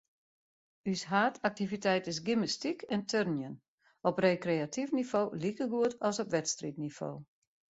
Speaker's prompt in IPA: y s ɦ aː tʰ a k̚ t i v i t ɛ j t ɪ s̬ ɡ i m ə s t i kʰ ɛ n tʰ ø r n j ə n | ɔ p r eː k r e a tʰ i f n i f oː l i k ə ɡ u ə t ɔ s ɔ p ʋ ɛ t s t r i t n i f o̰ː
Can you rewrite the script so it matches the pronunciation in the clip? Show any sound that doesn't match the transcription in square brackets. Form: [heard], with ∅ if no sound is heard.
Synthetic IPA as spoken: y s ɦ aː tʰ a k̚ t i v i t ɛ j t ɪ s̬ ɡ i m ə s t i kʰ ɛ n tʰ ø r n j ə n | ɔ p r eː k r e a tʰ i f n i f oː l i k ə ɡ u ə t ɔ s ɔ p ʋ ɛ t s t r i t n i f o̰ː